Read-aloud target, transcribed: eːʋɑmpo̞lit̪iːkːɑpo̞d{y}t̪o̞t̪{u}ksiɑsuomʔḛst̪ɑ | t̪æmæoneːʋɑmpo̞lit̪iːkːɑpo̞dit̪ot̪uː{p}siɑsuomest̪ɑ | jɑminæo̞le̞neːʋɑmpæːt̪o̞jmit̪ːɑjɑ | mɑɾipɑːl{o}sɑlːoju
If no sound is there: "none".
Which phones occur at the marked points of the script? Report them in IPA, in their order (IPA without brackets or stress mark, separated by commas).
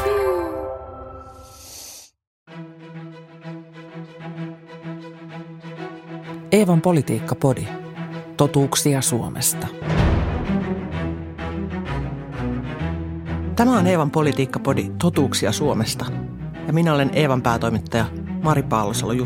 i, uː, k, o